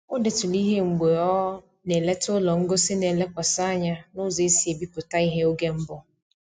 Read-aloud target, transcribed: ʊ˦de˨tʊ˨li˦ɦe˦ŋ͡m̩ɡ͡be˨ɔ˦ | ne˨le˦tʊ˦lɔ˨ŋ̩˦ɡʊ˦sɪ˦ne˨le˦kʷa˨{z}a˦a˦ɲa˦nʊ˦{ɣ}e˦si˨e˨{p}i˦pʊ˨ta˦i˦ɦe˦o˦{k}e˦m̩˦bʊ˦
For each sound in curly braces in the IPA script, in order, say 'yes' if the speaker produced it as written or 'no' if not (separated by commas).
no, no, no, no